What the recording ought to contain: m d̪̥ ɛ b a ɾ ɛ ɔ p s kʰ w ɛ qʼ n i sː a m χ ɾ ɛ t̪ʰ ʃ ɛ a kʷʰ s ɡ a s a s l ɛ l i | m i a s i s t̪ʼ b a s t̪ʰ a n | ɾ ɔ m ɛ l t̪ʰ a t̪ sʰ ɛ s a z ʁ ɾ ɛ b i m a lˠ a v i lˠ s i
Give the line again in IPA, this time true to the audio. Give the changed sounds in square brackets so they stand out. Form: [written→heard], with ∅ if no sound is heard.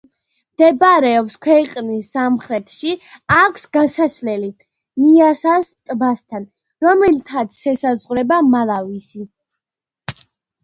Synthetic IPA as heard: m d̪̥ ɛ b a ɾ ɛ ɔ p s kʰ w ɛ qʼ n i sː a m χ ɾ ɛ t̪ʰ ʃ [ɛ→i] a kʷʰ s ɡ a s a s l ɛ l i | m i a s [i→a] s t̪ʼ b a s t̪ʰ a n | ɾ ɔ m ɛ l t̪ʰ a t̪ sʰ ɛ s a z ʁ ɾ ɛ b [i→a] m a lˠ a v i [lˠ→∅] s i